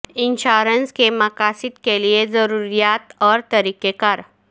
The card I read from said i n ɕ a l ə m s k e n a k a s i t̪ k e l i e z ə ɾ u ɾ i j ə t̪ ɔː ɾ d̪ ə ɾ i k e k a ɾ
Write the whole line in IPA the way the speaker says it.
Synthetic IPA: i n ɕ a ɾ ə n s k e m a k a s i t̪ k e l i e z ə ɾ u ɾ i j a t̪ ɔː ɾ t̪ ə ɾ i k e k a ɾ